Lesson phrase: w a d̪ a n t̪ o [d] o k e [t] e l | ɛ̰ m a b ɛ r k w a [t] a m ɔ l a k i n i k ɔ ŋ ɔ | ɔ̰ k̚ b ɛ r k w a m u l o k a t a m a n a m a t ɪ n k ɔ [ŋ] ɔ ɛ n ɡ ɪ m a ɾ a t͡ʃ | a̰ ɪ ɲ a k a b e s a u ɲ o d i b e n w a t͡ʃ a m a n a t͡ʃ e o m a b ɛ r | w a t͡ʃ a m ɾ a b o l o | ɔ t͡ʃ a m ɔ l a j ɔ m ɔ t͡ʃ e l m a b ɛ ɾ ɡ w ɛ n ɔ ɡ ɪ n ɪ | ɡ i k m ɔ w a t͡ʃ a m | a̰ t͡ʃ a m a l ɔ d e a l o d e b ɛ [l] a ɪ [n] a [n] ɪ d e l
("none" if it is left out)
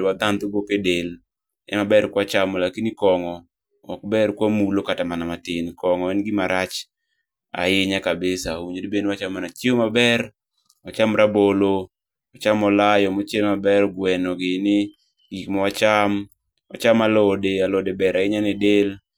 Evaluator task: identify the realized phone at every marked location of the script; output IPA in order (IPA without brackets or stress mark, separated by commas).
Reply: ɡ, d, t͡ʃ, ŋ, ɾ, ɲ, n